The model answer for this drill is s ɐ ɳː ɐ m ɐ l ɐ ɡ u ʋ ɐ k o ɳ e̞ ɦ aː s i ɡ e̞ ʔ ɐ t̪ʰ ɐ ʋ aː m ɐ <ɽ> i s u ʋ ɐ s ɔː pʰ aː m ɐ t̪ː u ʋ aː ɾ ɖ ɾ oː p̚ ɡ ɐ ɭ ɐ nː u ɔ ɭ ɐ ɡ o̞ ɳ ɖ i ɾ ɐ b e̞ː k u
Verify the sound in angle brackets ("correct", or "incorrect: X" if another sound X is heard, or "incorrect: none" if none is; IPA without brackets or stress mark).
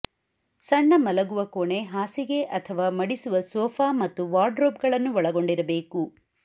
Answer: correct